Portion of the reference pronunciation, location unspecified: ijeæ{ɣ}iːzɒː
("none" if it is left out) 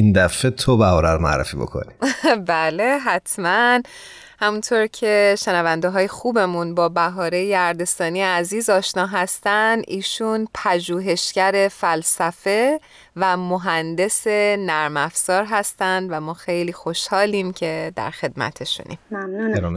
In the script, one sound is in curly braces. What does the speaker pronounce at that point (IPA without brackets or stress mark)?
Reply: z